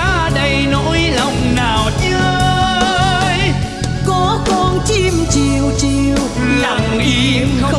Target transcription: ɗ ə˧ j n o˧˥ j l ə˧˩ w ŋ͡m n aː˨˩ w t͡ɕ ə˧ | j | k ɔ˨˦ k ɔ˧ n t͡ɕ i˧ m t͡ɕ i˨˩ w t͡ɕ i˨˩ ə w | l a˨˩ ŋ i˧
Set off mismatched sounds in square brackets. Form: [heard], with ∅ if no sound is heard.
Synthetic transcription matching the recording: ɗ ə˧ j n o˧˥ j l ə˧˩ w ŋ͡m n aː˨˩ w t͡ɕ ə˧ | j | k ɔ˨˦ k ɔ˧ n t͡ɕ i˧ m t͡ɕ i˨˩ w t͡ɕ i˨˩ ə w | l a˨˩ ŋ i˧